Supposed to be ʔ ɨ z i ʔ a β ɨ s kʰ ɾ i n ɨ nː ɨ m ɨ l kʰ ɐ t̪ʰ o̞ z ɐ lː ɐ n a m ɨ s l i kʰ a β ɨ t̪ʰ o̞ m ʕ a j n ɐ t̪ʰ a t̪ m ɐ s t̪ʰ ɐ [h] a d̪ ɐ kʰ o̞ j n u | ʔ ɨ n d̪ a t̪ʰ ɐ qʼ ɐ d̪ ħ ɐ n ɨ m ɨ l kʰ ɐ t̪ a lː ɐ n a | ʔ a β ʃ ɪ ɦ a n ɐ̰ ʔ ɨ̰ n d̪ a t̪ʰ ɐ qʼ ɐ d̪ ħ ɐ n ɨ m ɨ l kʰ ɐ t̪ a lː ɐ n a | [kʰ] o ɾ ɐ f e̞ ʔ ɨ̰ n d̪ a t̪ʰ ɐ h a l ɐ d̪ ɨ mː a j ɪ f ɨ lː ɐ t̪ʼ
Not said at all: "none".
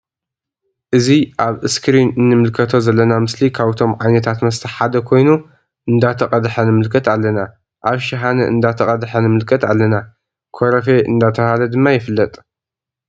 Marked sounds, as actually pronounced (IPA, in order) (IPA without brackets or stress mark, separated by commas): ħ, kʰ